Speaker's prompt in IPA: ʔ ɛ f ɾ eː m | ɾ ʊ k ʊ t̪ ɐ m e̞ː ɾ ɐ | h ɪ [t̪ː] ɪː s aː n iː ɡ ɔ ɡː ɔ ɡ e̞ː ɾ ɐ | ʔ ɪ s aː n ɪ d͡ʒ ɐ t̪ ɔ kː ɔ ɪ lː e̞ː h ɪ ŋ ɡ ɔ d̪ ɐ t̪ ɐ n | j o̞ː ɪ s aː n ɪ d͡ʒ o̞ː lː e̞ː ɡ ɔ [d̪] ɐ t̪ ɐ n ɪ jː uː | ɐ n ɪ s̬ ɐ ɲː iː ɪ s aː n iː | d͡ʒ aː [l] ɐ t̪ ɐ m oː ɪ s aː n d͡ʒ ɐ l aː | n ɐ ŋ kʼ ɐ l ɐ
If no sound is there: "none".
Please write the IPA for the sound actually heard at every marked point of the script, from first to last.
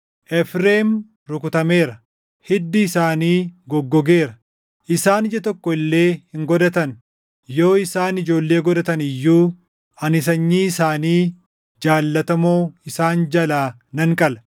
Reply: d̪ː, d̪, lː

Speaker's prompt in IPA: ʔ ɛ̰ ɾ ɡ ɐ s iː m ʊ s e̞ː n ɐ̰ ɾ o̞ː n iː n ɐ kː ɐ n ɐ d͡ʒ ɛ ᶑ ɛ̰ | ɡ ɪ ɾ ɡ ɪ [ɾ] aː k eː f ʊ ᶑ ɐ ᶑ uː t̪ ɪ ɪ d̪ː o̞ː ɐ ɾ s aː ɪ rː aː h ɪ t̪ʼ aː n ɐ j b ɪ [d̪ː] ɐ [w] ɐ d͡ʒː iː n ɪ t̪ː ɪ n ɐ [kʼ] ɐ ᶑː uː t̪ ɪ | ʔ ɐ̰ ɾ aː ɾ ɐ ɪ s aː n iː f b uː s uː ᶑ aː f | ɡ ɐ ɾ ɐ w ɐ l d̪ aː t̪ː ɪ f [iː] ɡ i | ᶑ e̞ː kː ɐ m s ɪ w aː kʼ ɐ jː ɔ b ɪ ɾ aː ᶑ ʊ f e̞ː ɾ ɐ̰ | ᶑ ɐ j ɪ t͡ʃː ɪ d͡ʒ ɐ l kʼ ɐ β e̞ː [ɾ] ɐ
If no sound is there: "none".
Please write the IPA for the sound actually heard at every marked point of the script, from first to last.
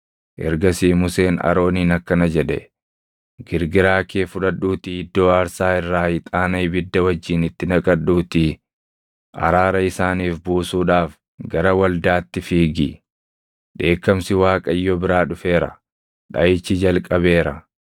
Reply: ɾ, d̪ː, w, kʼ, iː, ɾ

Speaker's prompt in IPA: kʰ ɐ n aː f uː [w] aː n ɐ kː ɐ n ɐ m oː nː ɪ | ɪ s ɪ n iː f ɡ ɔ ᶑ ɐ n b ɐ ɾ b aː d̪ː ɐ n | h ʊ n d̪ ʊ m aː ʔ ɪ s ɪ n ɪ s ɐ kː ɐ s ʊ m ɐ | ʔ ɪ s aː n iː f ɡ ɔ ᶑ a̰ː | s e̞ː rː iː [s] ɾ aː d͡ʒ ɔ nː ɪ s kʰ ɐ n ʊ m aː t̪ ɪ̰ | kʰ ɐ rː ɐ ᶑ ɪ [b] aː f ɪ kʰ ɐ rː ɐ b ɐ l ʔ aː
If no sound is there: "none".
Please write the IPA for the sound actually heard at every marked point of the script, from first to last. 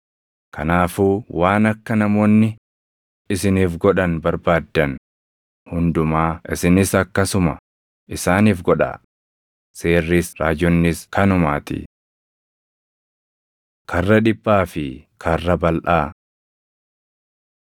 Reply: w, s, bː

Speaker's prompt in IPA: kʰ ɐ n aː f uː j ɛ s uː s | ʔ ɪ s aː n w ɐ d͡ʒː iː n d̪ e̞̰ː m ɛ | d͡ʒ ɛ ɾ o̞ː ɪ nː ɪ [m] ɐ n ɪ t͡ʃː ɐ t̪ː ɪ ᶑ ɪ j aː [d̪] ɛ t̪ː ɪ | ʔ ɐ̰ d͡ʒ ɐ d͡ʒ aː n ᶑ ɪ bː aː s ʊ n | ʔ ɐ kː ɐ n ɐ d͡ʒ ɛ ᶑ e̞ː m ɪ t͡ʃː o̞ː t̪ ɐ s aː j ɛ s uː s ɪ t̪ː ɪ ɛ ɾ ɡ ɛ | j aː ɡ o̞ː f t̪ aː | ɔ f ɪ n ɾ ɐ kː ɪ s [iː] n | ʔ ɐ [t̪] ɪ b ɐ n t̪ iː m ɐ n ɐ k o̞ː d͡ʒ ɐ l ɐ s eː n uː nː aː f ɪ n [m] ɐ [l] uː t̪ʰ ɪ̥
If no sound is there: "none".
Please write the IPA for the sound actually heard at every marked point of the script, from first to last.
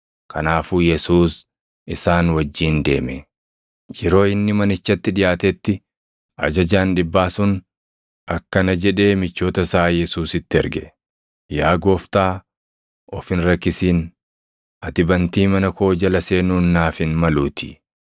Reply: m, t̪, iː, t̪, m, l

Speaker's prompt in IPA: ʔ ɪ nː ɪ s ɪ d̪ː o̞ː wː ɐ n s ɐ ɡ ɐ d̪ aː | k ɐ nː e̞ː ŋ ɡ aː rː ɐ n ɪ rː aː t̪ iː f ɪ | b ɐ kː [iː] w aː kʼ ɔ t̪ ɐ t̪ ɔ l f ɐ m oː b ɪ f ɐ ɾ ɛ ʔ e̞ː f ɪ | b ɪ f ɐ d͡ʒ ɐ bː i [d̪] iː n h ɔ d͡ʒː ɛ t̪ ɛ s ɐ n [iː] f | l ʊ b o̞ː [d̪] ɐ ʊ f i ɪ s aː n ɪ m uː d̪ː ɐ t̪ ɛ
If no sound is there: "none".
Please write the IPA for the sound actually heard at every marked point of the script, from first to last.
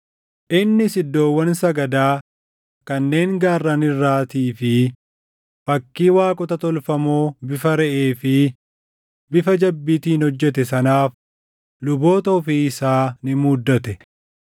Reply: iː, t̪, aː, t̪

